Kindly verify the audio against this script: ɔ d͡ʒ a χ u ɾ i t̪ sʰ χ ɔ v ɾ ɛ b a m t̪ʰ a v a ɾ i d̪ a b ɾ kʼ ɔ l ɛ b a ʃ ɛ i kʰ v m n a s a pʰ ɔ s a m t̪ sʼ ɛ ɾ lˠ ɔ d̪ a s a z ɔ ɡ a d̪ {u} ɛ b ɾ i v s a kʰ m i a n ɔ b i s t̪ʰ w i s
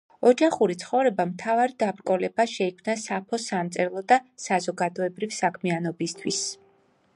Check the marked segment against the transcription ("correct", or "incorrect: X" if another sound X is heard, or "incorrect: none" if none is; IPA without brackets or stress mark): incorrect: ɔ